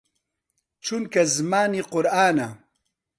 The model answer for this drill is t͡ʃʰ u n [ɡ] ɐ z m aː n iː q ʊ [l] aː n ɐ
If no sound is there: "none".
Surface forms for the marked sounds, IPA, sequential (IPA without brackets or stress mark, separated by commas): k, ɾ